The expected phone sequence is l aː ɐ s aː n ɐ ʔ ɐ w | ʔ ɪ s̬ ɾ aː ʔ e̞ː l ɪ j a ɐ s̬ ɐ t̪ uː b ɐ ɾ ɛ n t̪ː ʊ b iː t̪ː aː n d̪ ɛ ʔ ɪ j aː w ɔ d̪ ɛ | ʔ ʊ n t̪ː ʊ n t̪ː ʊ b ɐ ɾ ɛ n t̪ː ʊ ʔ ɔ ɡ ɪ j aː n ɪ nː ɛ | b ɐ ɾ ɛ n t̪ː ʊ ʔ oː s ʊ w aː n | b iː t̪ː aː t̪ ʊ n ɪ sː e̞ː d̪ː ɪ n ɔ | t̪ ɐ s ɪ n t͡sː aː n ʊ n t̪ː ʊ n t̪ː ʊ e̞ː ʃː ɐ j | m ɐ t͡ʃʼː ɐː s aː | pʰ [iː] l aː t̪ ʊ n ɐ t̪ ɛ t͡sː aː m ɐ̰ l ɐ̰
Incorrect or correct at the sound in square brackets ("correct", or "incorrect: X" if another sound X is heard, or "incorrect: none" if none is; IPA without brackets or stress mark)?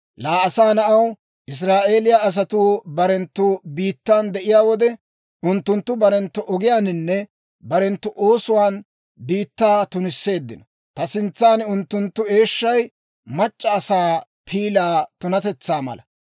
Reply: correct